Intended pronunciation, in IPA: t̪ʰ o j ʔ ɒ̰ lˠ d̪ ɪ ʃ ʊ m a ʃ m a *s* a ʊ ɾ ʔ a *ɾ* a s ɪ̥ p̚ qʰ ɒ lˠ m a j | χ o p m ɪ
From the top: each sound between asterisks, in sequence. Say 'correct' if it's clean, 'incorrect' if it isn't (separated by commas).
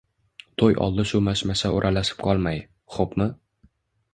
correct, incorrect